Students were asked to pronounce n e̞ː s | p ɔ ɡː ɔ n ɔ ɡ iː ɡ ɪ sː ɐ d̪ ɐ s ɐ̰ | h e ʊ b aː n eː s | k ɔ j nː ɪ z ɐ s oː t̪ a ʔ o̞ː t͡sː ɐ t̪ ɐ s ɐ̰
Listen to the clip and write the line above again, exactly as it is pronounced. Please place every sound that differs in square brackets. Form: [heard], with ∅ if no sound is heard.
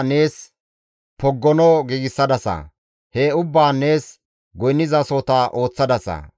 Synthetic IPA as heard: n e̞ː s | p ɔ ɡː ɔ n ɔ ɡ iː ɡ ɪ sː ɐ d̪ ɐ s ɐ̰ | h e ʊ [bː] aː n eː s | [ɡ] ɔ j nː ɪ z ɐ s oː t̪ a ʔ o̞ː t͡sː ɐ [d̪] ɐ s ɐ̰

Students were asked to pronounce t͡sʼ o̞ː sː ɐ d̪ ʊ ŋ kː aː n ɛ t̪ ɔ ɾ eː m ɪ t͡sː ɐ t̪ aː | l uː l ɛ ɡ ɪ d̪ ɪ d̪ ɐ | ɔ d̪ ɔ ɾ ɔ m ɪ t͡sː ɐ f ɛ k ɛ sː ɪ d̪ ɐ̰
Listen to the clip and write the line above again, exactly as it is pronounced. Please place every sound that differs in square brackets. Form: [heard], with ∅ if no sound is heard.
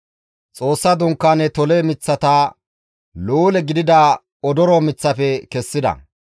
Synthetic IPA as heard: t͡sʼ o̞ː sː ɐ d̪ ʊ ŋ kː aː n ɛ t̪ ɔ [l] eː m ɪ t͡sː ɐ t̪ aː | l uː l ɛ ɡ ɪ d̪ ɪ d̪ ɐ | ɔ d̪ ɔ ɾ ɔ m ɪ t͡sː ɐ f ɛ k ɛ sː ɪ d̪ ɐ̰

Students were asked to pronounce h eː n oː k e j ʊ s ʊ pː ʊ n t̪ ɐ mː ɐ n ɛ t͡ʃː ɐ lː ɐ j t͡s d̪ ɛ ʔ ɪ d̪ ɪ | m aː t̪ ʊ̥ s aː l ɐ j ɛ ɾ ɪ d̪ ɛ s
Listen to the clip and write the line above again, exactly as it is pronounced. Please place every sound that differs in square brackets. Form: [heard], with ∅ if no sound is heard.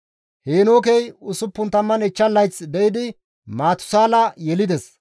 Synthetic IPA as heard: h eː n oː k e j ʊ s ʊ pː ʊ n t̪ ɐ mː ɐ n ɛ t͡ʃː ɐ lː ɐ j t͡s d̪ ɛ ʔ ɪ d̪ ɪ | m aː t̪ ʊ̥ s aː l ɐ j ɛ [l] ɪ d̪ ɛ s

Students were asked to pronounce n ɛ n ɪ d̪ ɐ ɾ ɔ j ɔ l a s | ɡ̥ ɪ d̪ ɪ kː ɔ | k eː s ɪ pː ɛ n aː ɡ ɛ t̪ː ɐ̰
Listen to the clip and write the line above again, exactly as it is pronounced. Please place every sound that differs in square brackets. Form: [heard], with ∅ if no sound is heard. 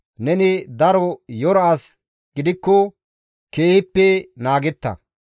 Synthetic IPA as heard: n ɛ n ɪ d̪ ɐ ɾ ɔ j ɔ [ɾ] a s | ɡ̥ ɪ d̪ ɪ kː ɔ | k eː [h] ɪ pː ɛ n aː ɡ ɛ t̪ː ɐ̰

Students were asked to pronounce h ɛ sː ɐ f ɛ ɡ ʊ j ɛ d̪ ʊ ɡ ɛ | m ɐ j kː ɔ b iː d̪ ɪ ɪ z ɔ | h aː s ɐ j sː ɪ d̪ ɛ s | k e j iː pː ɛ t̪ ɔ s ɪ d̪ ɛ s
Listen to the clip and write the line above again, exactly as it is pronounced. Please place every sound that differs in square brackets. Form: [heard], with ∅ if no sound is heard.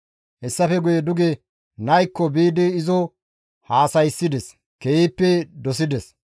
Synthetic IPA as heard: h ɛ sː ɐ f ɛ ɡ ʊ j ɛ d̪ ʊ ɡ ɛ | [n] ɐ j kː ɔ b iː d̪ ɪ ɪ z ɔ | h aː s ɐ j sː ɪ d̪ ɛ s | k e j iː pː ɛ [d̪] ɔ s ɪ d̪ ɛ s

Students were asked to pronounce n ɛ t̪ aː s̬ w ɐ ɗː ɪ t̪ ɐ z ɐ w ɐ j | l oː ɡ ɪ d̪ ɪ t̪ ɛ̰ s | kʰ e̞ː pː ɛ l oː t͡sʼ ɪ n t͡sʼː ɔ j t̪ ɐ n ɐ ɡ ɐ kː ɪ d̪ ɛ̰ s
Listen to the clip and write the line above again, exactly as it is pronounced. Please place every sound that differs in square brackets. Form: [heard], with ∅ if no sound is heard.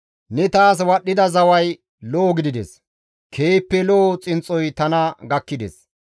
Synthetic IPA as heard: n ɛ t̪ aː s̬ w ɐ ɗː ɪ [d̪] ɐ z ɐ w ɐ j | l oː ɡ ɪ d̪ ɪ [d̪] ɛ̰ s | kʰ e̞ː pː ɛ l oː t͡sʼ ɪ n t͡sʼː ɔ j t̪ ɐ n ɐ ɡ ɐ kː ɪ d̪ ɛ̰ s

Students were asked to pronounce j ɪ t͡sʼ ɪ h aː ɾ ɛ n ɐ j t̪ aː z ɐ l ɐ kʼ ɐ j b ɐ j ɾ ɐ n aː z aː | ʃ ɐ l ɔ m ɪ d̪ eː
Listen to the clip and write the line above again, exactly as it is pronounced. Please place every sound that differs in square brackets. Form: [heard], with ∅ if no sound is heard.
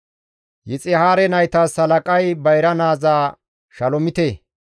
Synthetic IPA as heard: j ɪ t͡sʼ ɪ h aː ɾ ɛ n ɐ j t̪ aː [s] ɐ l ɐ kʼ ɐ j b ɐ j ɾ ɐ n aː z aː | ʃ ɐ l ɔ m ɪ [t̪] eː

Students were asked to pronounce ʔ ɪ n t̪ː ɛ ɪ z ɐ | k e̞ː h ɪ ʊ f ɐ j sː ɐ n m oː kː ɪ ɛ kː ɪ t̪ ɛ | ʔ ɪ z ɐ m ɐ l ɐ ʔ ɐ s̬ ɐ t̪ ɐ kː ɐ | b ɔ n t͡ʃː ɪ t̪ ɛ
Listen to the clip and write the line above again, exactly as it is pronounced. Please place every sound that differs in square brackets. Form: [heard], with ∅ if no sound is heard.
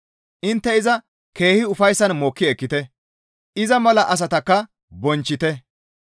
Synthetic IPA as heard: ʔ ɪ n t̪ː ɛ ɪ z ɐ | k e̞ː h ɪ ʊ f ɐ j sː ɐ n m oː kː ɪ ɛ kː ɪ t̪ ɛ | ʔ ɪ z ɐ m ɐ l ɐ ʔ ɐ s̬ ɐ t̪ ɐ kː ɐ | b ɔ n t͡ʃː ɪ t̪ ɛ

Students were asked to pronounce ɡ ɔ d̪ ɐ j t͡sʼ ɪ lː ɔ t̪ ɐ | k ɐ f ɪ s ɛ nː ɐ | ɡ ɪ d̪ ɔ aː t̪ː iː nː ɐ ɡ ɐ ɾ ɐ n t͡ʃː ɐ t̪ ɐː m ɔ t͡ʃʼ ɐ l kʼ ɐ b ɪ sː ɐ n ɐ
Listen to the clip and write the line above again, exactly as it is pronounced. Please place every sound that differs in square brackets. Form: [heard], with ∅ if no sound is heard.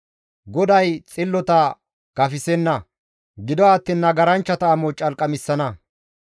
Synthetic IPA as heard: ɡ ɔ d̪ ɐ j t͡sʼ ɪ lː ɔ t̪ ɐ | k ɐ f ɪ s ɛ nː ɐ | ɡ ɪ d̪ ɔ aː t̪ː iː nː ɐ ɡ ɐ ɾ ɐ n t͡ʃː ɐ t̪ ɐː m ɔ t͡ʃʼ ɐ l kʼ ɐ [m] ɪ sː ɐ n ɐ

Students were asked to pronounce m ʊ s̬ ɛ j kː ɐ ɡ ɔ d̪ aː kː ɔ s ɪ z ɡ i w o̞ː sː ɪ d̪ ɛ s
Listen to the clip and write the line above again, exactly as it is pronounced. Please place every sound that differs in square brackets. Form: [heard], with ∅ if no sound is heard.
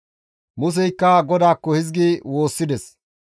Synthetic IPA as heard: m ʊ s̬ ɛ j kː ɐ ɡ ɔ d̪ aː kː ɔ [h] ɪ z ɡ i w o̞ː sː ɪ d̪ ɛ s

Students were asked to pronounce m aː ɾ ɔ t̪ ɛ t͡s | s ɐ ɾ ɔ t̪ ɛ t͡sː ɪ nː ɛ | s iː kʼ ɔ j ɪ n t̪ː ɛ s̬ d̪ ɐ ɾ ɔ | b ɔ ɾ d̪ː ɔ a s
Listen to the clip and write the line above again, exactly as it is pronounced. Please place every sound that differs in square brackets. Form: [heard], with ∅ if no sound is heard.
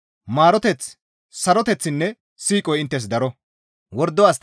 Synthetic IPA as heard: m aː ɾ ɔ t̪ ɛ t͡s | s ɐ ɾ ɔ t̪ ɛ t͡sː ɪ nː ɛ | s iː kʼ ɔ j ɪ n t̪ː ɛ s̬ d̪ ɐ ɾ ɔ | [w] ɔ ɾ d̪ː ɔ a s

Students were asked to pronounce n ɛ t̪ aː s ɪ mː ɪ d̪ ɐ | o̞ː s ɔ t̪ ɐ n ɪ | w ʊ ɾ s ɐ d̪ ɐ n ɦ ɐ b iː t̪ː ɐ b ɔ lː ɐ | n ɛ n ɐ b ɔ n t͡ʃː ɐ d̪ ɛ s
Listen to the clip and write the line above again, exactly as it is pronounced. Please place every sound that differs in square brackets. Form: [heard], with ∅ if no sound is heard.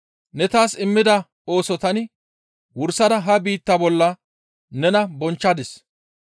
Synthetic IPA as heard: n ɛ t̪ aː s ɪ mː ɪ d̪ ɐ | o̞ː s ɔ t̪ ɐ n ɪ | w ʊ ɾ s ɐ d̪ ɐ [∅] ɦ ɐ b iː t̪ː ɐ b ɔ lː ɐ | n ɛ n ɐ b ɔ n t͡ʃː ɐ d̪ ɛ s

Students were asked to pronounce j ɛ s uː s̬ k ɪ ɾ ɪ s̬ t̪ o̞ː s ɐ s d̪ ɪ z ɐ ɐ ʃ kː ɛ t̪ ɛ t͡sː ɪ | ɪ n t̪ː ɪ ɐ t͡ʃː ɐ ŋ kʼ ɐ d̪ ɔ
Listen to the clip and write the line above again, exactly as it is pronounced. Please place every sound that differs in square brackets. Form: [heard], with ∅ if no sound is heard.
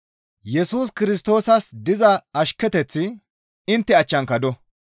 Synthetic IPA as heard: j ɛ s uː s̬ k ɪ ɾ ɪ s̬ t̪ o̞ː s ɐ s d̪ ɪ z ɐ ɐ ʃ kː ɛ t̪ ɛ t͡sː ɪ | ɪ n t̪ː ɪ ɐ t͡ʃː ɐ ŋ [k] ɐ d̪ ɔ

